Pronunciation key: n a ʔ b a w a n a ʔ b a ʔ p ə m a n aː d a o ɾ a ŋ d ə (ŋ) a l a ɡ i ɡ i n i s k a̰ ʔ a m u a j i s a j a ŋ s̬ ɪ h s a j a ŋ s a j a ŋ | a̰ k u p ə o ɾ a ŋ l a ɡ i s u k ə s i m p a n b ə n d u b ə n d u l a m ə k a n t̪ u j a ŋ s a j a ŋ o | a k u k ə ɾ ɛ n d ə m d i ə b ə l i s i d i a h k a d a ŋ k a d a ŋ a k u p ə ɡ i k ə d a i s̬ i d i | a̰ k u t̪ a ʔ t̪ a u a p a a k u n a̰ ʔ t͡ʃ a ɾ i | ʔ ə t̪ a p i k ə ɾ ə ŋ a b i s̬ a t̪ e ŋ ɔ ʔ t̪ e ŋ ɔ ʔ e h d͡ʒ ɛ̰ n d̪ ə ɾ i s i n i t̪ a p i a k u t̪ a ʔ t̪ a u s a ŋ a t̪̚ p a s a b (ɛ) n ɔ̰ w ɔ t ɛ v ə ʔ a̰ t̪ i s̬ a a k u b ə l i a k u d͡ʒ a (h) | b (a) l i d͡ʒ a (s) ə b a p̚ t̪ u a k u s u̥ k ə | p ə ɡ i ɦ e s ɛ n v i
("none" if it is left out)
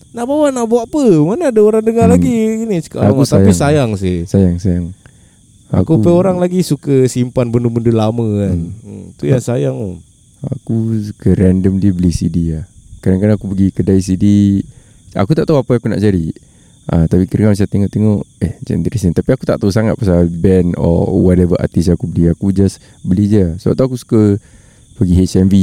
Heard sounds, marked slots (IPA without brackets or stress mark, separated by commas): ŋ, ɛ, s, ə, s